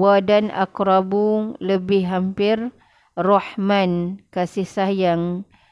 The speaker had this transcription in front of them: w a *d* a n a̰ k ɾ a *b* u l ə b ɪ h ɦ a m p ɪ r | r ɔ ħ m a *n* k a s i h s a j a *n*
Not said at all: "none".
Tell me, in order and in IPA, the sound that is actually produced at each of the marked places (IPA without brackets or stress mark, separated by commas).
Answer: d, b, n, ŋ